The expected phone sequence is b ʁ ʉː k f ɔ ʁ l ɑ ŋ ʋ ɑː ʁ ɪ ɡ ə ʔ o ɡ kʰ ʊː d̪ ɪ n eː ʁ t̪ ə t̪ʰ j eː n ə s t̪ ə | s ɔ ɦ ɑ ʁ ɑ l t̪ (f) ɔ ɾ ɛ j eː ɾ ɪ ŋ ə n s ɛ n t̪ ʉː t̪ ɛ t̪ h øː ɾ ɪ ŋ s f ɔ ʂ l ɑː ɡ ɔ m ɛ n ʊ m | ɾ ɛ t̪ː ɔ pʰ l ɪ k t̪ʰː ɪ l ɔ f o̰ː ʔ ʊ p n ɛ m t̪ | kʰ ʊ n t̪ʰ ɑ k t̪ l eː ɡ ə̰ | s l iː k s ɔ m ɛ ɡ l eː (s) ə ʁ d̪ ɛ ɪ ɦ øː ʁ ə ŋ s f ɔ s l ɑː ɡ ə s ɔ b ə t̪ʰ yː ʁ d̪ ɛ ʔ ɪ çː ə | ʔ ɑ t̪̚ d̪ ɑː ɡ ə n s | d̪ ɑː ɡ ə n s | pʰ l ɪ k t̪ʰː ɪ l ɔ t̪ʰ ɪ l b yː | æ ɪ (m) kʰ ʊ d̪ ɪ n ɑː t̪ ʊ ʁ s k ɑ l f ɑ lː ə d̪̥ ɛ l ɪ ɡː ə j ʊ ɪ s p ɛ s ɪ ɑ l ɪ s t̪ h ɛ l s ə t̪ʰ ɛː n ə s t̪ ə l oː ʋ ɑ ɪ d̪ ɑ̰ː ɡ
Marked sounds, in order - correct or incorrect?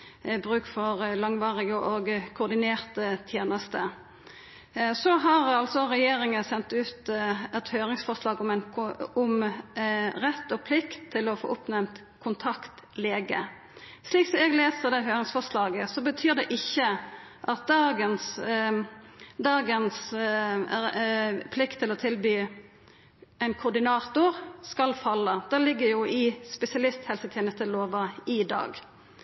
incorrect, correct, incorrect

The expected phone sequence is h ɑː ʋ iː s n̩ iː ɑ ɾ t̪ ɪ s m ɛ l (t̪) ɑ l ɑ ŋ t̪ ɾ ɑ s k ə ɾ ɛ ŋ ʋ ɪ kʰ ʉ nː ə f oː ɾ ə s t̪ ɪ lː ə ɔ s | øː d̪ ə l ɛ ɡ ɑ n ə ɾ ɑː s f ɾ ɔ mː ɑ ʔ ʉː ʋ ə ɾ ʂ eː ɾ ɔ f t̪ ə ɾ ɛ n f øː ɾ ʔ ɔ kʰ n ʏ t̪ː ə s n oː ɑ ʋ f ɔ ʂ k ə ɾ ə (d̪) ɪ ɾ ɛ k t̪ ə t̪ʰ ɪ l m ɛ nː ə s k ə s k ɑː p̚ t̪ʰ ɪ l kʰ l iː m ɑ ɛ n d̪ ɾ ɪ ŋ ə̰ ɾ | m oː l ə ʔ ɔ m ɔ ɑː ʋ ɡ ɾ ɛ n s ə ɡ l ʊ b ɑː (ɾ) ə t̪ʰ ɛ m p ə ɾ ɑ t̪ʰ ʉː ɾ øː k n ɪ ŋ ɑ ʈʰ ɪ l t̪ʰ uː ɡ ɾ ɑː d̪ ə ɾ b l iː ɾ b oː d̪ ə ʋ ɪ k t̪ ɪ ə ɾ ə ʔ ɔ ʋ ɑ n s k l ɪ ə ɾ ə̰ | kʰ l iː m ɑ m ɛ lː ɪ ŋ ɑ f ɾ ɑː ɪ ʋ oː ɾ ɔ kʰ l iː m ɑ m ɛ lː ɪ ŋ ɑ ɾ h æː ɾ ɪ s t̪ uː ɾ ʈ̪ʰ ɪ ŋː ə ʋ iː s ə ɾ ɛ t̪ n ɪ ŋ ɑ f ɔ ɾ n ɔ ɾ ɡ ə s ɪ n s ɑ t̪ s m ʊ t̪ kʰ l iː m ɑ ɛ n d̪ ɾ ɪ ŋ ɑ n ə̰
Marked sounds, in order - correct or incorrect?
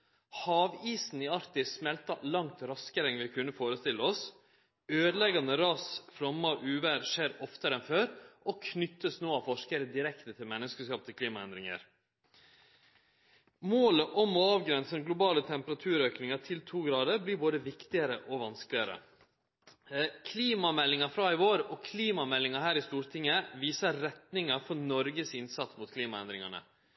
correct, correct, incorrect

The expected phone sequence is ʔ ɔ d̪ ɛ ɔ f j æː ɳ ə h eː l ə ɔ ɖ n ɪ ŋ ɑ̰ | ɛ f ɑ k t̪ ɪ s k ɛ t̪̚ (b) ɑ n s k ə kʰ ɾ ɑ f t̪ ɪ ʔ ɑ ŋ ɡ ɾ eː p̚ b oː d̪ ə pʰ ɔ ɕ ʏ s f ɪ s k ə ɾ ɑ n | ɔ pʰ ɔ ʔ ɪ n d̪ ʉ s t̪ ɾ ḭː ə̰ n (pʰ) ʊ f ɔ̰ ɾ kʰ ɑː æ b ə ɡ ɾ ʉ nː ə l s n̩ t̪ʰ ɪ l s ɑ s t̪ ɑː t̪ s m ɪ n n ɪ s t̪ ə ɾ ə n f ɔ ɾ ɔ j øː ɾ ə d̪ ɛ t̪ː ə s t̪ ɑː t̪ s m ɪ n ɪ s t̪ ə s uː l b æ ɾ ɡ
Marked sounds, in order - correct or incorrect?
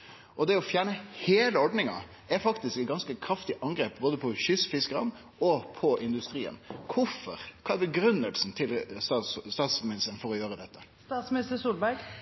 incorrect, incorrect

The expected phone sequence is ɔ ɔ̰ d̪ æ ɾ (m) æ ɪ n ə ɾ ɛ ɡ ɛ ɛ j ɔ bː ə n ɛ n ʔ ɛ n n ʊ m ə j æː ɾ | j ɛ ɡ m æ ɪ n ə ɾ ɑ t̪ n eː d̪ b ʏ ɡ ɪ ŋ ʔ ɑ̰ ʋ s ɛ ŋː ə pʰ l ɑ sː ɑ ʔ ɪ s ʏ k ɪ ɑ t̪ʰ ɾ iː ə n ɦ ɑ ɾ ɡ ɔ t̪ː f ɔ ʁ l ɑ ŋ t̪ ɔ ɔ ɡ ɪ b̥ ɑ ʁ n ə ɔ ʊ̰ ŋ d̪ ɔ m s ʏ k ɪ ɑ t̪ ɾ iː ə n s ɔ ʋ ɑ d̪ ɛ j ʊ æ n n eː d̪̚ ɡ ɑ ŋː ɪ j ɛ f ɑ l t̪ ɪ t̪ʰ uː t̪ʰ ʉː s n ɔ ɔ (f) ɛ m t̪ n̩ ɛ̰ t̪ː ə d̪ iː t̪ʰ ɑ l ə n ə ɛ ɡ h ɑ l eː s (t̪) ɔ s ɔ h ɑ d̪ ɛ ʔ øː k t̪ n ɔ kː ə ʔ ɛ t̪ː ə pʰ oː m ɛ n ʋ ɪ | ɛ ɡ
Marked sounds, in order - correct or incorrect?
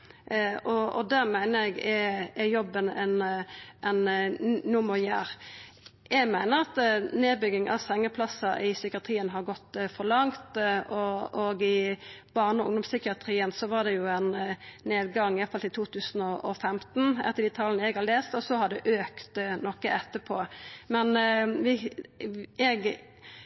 correct, correct, correct

